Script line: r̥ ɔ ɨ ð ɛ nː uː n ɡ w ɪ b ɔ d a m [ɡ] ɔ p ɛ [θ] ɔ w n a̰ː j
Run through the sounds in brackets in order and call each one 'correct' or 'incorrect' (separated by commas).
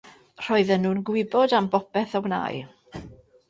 incorrect, correct